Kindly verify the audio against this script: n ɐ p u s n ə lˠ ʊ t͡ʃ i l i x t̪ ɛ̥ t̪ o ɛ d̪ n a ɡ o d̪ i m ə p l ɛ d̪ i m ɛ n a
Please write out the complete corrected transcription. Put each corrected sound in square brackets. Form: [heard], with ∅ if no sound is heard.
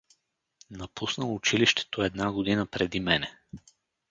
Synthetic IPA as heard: n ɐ p u s n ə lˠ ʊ t͡ʃ i l i [ʃ] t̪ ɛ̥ t̪ o ɛ d̪ n a ɡ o d̪ i [n] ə p [ɾ] ɛ d̪ i m ɛ n [ɛ]